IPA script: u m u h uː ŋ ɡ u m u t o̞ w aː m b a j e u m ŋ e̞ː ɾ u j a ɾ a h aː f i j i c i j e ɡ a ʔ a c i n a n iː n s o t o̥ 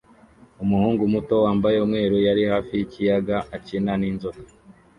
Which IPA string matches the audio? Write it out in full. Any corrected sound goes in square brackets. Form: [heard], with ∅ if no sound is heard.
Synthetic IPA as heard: u m u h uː ŋ ɡ u m u t o̞ w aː m b a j e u m ŋ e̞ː ɾ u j a ɾ [i] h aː f i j i c i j [a] ɡ a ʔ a c i n a n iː n [z] o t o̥